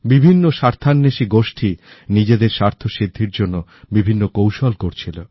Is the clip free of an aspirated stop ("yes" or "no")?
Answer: no